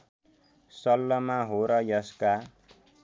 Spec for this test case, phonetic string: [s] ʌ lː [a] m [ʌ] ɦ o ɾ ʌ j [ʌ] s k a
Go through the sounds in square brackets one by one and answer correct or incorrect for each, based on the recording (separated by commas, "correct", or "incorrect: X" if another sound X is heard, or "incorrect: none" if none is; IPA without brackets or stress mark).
correct, incorrect: ʌ, incorrect: a, correct